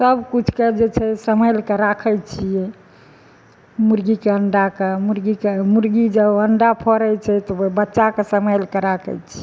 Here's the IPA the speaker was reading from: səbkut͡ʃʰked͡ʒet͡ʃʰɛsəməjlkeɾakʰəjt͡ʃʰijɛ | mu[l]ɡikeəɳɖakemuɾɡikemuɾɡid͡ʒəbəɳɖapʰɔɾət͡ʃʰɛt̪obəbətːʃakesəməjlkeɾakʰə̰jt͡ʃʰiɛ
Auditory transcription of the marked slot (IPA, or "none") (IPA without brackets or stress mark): ɾ